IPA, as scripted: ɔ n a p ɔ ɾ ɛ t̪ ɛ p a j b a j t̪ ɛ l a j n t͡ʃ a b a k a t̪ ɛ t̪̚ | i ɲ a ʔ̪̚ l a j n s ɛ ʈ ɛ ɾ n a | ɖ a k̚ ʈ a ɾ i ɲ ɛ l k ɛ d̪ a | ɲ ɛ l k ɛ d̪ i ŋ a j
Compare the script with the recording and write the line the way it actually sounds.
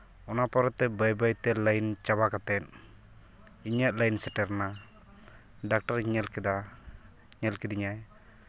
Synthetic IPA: ɔ n a p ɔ ɾ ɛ t̪ ɛ b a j b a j t̪ ɛ l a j n t͡ʃ a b a k a t̪ ɛ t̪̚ | i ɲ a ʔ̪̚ l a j n s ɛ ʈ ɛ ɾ n a | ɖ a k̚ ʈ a ɾ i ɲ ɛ l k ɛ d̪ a | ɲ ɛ l k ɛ d̪ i ɲ a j